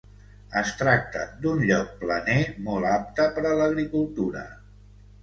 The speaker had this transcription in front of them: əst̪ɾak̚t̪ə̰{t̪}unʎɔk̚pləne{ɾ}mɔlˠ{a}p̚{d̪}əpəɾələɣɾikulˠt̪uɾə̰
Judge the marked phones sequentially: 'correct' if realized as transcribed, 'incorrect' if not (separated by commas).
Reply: incorrect, incorrect, correct, incorrect